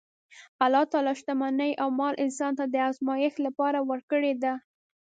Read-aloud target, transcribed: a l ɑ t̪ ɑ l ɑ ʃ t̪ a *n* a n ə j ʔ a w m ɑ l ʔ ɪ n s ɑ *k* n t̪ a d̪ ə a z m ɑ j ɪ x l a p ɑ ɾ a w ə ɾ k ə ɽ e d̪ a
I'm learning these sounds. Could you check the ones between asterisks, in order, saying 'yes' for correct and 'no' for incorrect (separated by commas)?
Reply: no, no